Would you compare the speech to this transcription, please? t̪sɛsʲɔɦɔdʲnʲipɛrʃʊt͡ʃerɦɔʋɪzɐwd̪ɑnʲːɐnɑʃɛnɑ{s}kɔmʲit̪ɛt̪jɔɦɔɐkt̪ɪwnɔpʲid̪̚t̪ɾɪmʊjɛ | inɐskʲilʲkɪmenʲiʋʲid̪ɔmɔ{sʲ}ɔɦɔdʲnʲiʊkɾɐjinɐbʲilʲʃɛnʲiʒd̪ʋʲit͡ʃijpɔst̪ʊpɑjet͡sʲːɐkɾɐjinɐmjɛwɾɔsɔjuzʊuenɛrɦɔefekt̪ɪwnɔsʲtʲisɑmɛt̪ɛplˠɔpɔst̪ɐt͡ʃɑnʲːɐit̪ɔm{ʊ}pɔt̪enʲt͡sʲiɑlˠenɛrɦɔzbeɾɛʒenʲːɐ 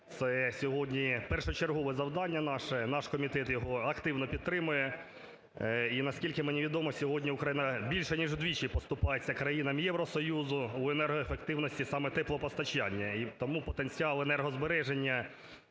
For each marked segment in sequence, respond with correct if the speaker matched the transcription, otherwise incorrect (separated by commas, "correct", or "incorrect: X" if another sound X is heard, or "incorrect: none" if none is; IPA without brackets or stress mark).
incorrect: ʃ, correct, incorrect: u